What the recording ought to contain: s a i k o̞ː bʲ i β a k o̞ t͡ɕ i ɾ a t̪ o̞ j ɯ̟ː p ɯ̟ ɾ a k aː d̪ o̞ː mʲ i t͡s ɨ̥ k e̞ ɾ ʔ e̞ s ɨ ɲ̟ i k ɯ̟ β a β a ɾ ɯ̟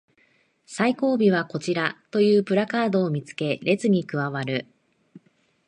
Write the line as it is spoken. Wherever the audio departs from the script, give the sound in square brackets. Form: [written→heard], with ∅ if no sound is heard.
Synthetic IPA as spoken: s a i k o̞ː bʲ i β a k o̞ t͡ɕ i ɾ a t̪ o̞ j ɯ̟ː p ɯ̟ ɾ a k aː d̪ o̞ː mʲ i t͡s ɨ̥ k e̞ ɾ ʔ e̞ [s→t͡s] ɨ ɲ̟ i k ɯ̟ β a β a ɾ ɯ̟